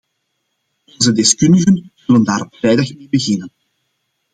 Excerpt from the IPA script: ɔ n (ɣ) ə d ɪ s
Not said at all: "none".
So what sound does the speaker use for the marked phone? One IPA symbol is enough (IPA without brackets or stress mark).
z